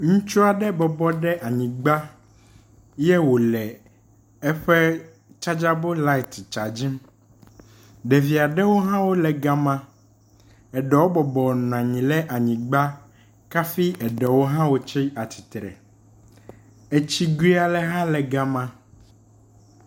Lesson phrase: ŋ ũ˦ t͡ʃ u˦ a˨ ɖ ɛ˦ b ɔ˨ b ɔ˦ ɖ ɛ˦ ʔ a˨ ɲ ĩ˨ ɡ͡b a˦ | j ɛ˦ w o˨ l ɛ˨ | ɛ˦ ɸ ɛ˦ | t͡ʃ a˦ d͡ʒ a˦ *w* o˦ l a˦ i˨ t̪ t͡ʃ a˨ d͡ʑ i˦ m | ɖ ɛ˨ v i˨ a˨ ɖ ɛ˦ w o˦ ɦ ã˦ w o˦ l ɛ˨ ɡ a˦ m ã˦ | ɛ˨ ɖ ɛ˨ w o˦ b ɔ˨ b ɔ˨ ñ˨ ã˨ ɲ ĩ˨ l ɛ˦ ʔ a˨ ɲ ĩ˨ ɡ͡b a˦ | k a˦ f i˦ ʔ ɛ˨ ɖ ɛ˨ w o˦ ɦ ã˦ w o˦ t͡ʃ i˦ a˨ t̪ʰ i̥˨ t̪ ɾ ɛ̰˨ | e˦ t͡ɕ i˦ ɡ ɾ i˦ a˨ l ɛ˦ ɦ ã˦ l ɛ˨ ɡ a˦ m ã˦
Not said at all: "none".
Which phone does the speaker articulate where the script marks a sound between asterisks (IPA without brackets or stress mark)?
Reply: b